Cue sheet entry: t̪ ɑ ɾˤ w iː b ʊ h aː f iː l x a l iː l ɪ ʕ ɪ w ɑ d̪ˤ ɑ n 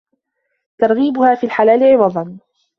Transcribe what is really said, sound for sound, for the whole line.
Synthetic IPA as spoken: t̪ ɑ ɾˤ ɣ iː b ʊ h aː f iː l ħ a l aː l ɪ ʕ ɪ w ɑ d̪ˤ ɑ n